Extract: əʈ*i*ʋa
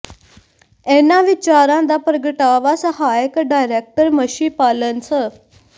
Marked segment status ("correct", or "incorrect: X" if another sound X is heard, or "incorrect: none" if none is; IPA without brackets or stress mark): incorrect: a